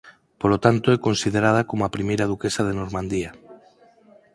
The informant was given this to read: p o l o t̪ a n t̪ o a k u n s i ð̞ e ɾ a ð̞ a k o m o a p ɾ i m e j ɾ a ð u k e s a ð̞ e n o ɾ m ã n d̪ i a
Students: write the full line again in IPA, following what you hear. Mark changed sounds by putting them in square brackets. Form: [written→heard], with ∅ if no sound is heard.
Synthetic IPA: p o l o t̪ a n t̪ o [a→ɛ] k [u→o] n s i ð̞ e ɾ a ð̞ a k o m o a p ɾ i m e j ɾ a ð u k e s a ð̞ e n o ɾ m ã n d̪ i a